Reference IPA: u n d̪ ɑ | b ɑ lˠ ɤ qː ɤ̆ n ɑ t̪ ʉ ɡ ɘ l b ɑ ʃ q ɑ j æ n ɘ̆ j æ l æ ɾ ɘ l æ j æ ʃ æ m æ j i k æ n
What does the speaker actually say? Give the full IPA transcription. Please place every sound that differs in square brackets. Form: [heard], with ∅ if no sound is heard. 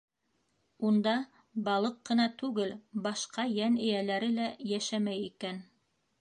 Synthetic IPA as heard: u n d̪ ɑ | b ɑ lˠ ɤ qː ɤ̆ n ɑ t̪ ʉ ɡ ɘ l b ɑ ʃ q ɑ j æ n ɘ̆ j æ l æ ɾ ɘ l æ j æ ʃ æ m æ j i k æ n